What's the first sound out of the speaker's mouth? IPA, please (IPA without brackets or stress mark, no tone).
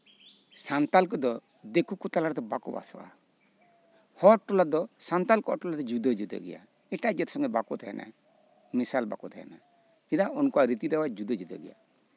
s